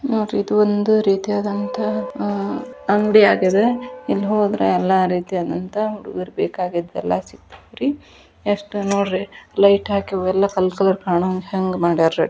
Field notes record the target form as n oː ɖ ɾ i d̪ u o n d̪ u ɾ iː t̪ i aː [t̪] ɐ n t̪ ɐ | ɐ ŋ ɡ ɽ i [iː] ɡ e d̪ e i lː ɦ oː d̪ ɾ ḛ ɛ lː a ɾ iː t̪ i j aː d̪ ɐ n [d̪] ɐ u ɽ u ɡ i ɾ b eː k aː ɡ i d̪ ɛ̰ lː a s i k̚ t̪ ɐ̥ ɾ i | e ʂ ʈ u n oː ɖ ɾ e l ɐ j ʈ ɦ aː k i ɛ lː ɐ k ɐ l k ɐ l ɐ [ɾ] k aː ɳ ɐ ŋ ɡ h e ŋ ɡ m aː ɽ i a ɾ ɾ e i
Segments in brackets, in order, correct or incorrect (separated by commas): incorrect, incorrect, incorrect, correct